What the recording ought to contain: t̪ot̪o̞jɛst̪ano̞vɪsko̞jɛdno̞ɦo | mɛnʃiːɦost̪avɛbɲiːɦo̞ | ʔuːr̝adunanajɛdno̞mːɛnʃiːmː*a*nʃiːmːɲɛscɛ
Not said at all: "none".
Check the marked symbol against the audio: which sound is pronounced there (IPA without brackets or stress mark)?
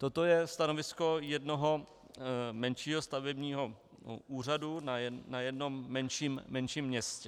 ɛ